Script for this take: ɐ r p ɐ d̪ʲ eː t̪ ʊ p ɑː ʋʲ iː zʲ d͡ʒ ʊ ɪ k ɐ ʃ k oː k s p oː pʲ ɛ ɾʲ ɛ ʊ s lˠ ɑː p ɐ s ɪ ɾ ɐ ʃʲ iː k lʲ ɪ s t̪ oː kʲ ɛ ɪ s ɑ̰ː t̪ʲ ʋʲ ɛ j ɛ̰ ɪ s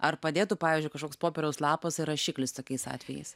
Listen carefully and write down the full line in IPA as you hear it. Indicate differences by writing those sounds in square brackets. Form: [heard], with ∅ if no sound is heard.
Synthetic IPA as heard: ɐ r p ɐ d̪ʲ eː t̪ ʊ p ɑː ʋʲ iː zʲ d͡ʒ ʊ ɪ k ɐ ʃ k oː k s p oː pʲ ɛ ɾʲ ɛ ʊ s lˠ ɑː p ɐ s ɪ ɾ ɐ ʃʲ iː k lʲ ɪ s t̪ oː kʲ ɛ ɪ s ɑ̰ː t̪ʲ ʋʲ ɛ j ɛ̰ ɪ s